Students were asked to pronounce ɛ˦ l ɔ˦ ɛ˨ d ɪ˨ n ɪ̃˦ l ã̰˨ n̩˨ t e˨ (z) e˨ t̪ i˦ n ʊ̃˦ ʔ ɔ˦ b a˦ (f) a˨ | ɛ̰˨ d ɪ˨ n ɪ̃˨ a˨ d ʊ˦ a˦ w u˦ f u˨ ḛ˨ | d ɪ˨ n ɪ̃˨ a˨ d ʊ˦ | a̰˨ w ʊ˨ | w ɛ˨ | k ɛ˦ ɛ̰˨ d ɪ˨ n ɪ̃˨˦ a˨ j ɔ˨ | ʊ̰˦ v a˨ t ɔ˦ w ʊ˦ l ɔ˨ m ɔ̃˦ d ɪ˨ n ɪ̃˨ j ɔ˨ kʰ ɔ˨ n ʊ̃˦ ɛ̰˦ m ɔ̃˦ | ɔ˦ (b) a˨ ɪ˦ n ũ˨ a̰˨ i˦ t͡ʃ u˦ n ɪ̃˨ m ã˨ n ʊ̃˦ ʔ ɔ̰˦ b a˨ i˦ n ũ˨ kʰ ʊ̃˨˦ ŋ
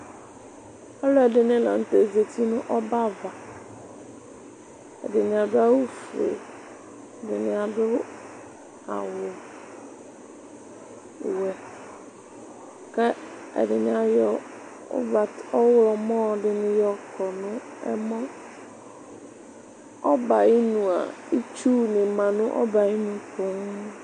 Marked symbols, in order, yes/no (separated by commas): yes, no, yes